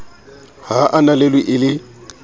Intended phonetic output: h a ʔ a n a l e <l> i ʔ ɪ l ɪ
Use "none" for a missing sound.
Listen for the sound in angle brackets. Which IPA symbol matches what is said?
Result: l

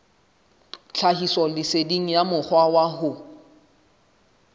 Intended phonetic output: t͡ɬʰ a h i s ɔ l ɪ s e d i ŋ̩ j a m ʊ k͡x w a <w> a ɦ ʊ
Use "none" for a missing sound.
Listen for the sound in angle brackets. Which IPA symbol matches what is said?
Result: w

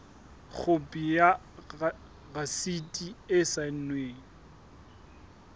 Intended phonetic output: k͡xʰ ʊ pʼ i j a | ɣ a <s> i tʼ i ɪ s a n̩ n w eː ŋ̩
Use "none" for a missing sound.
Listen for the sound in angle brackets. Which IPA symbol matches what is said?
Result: s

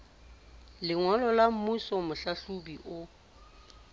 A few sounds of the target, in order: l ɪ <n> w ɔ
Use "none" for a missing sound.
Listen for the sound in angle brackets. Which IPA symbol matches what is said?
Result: ŋ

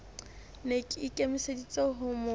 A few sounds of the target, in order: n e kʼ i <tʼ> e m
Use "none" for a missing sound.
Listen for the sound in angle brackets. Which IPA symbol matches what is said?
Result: kʼ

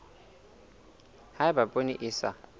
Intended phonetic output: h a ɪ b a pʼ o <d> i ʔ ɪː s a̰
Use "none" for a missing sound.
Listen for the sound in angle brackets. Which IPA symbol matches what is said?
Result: n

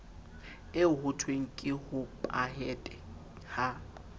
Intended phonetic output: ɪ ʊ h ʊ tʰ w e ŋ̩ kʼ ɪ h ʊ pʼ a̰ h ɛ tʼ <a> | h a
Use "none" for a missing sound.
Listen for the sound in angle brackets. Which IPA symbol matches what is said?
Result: ɛ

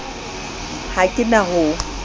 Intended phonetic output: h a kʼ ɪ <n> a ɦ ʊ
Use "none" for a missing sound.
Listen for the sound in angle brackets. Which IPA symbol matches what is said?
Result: n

